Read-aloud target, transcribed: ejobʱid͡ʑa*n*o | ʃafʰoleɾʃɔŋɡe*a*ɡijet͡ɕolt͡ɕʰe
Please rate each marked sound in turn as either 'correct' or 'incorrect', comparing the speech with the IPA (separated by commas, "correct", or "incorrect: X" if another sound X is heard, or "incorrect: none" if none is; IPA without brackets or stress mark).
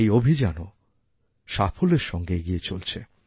correct, incorrect: e